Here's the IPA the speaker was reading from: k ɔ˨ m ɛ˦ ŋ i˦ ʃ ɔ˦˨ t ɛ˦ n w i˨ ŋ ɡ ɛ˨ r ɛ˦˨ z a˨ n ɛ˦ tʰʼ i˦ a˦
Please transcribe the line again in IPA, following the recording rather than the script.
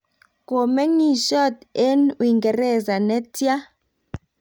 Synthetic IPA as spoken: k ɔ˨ m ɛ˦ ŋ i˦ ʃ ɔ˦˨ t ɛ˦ n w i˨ ŋ ɡ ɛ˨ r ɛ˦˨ z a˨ n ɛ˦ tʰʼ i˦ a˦